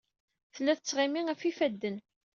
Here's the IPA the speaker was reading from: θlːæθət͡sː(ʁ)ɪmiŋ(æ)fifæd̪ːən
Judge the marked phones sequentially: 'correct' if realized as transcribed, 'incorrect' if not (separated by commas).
correct, correct